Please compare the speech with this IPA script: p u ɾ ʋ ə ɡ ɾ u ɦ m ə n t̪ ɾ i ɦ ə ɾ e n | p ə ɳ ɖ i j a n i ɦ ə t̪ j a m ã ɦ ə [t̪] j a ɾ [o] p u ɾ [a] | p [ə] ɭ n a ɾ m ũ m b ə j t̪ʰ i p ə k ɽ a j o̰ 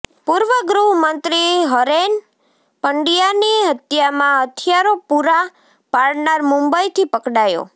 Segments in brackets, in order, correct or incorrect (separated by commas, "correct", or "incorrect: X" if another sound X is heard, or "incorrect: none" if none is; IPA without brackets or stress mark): incorrect: t̪ʰ, correct, correct, incorrect: a